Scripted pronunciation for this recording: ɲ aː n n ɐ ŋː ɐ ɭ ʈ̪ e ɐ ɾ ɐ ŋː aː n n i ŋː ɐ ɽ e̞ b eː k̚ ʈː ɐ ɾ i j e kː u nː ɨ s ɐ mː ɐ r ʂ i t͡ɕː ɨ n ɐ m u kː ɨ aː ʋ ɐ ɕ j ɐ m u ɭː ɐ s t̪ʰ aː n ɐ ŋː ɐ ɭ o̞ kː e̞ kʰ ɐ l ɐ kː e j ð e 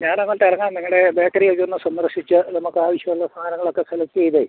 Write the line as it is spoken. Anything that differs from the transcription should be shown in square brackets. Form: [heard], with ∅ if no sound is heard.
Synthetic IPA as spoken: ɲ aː n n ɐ ŋː ɐ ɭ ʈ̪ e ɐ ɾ ɐ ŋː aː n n i ŋː ɐ ɽ e̞ b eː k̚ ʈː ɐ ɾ i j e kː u nː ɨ s ɐ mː ɐ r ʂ i t͡ɕː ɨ n ɐ m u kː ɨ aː ʋ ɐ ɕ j ɐ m u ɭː ɐ s t̪ʰ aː n ɐ ŋː ɐ ɭ o̞ kː e̞ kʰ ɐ l ɐ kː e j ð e